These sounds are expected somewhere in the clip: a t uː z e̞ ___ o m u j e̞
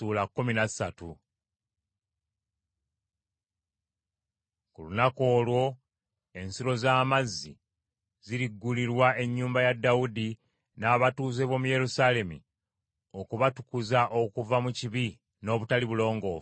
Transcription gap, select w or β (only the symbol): β